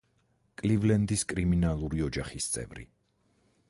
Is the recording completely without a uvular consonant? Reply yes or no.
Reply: no